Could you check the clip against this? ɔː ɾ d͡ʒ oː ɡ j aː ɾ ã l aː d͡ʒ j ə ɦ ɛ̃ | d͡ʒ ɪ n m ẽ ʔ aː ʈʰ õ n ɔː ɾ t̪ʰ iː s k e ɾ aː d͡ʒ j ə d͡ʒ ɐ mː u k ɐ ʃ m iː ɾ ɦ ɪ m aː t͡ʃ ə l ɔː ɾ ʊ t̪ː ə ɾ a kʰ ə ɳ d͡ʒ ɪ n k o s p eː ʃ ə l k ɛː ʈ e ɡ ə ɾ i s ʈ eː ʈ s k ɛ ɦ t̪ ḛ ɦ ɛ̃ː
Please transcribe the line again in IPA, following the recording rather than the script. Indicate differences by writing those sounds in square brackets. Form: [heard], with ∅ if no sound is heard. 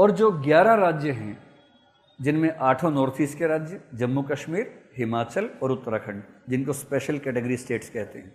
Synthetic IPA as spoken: ɔː ɾ d͡ʒ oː ɡ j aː ɾ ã [ɾ] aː d͡ʒ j ə ɦ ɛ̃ | d͡ʒ ɪ n m ẽ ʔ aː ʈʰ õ n ɔː ɾ t̪ʰ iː s k e ɾ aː d͡ʒ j ə d͡ʒ ɐ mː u k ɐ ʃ m iː ɾ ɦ ɪ m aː t͡ʃ ə l ɔː ɾ ʊ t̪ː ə ɾ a kʰ ə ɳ d͡ʒ ɪ n k o s p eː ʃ ə l k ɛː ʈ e ɡ ə ɾ i s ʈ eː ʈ s k ɛ ɦ t̪ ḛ ɦ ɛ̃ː